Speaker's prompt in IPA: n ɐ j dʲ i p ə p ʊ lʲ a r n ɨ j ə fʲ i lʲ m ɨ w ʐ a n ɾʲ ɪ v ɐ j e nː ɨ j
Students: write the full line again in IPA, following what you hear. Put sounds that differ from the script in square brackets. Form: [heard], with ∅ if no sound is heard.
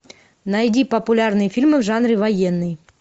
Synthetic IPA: n ɐ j dʲ i p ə p ʊ lʲ a r n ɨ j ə fʲ i lʲ m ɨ [v] ʐ a n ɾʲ ɪ v ɐ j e nː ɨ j